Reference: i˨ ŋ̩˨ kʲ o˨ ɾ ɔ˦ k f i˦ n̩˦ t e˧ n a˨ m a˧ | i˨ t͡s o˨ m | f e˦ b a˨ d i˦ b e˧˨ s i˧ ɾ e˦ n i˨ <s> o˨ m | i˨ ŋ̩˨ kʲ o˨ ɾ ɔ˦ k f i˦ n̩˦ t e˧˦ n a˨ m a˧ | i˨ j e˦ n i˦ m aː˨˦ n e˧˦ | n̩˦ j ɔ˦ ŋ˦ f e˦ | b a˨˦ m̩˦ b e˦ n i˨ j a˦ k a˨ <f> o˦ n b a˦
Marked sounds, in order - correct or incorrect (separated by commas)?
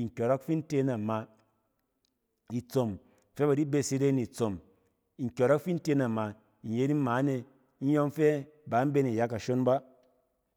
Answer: incorrect, incorrect